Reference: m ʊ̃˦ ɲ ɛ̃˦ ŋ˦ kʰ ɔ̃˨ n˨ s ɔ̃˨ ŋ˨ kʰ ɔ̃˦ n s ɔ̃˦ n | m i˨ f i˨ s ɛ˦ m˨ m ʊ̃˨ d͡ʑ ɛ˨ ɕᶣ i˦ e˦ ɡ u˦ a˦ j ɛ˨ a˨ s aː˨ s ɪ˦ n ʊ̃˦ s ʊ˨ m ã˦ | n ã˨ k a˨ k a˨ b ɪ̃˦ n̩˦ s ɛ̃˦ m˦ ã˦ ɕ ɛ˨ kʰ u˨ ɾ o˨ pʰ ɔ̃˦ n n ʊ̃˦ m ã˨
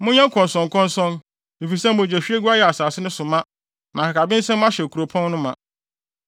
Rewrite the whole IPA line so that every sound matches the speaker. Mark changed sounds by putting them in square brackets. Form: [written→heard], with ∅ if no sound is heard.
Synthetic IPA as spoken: m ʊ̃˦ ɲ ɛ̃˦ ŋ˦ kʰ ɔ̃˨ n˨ s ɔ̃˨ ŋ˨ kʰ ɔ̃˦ n s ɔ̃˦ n | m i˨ f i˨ s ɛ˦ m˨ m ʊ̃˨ d͡ʑ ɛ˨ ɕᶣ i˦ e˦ ɡ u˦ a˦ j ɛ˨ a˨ s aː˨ s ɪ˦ n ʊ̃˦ s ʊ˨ m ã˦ | n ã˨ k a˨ k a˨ b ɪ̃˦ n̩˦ s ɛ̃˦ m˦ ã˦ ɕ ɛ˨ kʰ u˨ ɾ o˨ pʰ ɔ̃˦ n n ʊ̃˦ m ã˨